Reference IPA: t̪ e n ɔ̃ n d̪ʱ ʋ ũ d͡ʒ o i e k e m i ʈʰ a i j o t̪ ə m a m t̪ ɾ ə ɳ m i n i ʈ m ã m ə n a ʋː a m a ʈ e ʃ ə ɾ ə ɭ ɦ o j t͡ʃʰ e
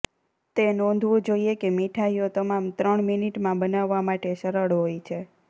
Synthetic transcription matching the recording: t̪ e n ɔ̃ n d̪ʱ ʋ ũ d͡ʒ o i e k e m i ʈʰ a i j o t̪ ə m a m t̪ ɾ ə ɳ m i n i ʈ m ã b ə n a ʋː a m a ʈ e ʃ ə ɾ ə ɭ ɦ o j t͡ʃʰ e